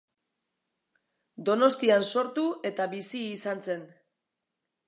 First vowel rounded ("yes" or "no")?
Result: yes